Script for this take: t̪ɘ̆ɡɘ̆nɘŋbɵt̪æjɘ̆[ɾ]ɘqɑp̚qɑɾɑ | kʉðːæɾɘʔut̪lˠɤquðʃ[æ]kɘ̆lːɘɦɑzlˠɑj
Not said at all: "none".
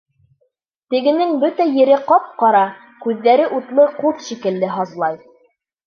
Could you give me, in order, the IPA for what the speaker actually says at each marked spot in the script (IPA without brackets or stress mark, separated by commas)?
ɾ, i